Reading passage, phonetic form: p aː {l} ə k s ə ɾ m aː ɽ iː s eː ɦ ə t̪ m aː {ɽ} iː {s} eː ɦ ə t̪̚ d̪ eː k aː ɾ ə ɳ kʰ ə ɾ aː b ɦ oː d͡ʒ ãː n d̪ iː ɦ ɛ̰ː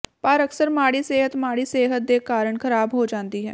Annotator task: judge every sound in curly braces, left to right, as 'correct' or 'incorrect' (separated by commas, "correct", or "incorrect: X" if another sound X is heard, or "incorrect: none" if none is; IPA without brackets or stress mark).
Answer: incorrect: ɾ, correct, correct